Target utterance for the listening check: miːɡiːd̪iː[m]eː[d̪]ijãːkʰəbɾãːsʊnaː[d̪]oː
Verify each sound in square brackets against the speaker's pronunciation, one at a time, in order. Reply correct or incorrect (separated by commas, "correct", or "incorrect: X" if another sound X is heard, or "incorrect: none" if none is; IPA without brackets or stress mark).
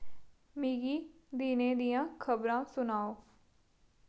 incorrect: n, correct, incorrect: none